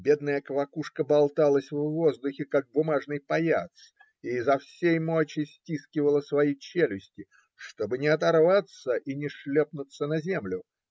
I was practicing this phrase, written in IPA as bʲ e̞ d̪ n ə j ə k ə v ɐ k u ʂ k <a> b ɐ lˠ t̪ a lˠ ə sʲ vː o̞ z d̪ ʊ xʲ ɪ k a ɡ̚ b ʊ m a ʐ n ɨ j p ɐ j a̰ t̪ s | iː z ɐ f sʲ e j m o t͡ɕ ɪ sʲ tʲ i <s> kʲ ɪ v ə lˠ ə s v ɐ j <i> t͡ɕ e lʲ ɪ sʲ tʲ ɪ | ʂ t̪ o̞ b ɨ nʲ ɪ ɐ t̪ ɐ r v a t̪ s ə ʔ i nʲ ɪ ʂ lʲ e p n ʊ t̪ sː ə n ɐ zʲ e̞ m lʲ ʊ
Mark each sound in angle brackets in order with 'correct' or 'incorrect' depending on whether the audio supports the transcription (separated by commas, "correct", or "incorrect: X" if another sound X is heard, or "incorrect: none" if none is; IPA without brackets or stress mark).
incorrect: ə, correct, correct